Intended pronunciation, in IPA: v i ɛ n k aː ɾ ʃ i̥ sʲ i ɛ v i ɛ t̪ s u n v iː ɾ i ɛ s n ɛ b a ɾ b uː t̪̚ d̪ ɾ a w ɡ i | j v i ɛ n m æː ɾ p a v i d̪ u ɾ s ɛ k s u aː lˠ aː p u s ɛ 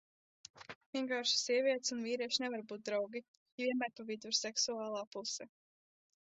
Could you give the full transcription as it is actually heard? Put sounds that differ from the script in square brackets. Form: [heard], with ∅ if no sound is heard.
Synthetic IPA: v i ɛ [ŋ] k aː ɾ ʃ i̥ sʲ i ɛ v i ɛ t̪ s u n v iː ɾ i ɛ [ʃ] n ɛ [v] a ɾ b uː t̪̚ d̪ ɾ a w ɡ i | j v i ɛ n m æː ɾ p a v i d̪ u ɾ s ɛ k s u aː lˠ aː p u s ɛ